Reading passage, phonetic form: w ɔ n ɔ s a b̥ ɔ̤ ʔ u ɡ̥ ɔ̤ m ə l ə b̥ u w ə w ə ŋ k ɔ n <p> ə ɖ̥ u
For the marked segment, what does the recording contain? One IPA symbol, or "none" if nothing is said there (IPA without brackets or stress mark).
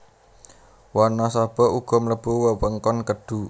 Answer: k